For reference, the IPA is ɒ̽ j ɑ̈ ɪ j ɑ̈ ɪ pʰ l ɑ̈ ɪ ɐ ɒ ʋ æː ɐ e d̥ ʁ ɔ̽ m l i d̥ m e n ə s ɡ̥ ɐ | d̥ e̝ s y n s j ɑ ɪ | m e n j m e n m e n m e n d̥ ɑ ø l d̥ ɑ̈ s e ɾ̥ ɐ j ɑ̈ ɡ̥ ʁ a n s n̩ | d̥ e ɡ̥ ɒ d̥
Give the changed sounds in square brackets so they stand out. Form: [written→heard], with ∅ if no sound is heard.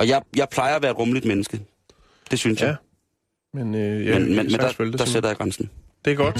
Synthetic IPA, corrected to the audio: ɒ̽ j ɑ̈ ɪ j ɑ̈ ɪ pʰ l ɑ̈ ɪ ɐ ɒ ʋ æː ɐ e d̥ ʁ ɔ̽ m l i d̥ m e n ə s ɡ̥ [ɐ→ə] | d̥ e̝ s y n s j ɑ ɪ | m e n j m e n m e n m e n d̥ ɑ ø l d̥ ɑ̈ s e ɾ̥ ɐ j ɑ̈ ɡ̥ ʁ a n s n̩ | d̥ e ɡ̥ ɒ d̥